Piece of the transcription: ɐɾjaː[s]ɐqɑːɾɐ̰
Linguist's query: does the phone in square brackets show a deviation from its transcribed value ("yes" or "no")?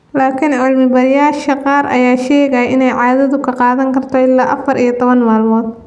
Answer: yes